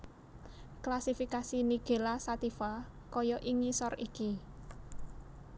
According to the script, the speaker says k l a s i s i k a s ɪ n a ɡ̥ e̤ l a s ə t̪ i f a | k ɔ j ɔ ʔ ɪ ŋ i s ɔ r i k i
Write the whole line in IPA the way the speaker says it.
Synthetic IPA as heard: k l a s i f i k a s i n i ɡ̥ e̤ l a s a t̪ i f a | k ɔ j ɔ ʔ i ŋ i s ɔ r i k i